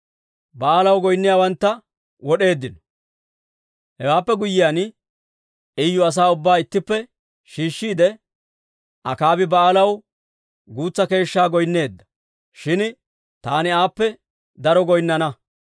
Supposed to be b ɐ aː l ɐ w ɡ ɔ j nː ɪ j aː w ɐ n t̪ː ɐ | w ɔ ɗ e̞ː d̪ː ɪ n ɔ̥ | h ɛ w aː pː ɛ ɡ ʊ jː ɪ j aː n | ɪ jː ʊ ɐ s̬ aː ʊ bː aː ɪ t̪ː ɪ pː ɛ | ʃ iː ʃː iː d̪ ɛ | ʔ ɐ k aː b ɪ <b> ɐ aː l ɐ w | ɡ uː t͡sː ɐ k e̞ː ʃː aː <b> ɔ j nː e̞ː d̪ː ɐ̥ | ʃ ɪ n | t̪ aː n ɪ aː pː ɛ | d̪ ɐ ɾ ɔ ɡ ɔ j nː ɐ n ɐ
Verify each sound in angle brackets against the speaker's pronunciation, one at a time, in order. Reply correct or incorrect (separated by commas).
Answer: correct, incorrect